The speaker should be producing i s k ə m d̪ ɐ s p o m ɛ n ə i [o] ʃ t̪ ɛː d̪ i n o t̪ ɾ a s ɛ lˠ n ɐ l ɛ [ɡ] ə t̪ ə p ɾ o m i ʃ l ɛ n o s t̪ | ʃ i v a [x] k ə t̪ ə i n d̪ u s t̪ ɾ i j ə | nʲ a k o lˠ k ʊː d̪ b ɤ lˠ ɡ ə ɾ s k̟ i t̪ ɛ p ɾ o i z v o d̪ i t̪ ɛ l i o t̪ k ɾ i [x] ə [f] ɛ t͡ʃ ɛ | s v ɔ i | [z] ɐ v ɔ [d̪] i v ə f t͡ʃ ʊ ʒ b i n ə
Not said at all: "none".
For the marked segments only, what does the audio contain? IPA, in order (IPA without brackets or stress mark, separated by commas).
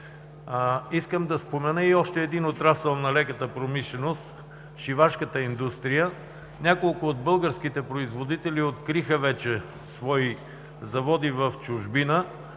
ɔ, k, ʃ, x, v, z, d̪